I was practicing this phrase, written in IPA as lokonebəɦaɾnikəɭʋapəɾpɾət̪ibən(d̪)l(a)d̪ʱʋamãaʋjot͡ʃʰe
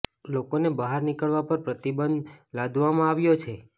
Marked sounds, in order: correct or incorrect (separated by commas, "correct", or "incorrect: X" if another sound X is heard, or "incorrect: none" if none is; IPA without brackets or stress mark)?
correct, correct